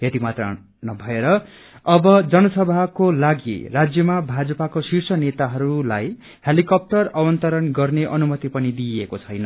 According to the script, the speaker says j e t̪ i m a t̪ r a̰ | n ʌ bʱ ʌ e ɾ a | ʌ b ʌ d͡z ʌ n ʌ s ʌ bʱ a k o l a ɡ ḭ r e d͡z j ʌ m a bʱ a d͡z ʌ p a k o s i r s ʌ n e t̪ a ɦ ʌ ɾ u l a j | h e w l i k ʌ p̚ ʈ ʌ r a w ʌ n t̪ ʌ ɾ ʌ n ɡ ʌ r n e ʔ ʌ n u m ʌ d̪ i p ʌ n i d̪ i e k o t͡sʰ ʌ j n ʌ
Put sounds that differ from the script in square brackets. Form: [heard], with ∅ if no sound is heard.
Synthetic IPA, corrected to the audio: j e t̪ i m a t̪ r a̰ | n ʌ bʱ ʌ e ɾ [ʌ] | ʌ b ʌ d͡z ʌ n ʌ s ʌ bʱ a k o l a ɡ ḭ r [a] d͡z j ʌ m a bʱ a d͡z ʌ p a k o s i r s ʌ n e t̪ a ɦ ʌ ɾ u l a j | h e [∅] l i k ʌ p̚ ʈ ʌ r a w ʌ n t̪ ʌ ɾ ʌ n ɡ ʌ r n e ʔ ʌ n u m ʌ [t̪] i p ʌ n i d̪ i e k o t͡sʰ ʌ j n ʌ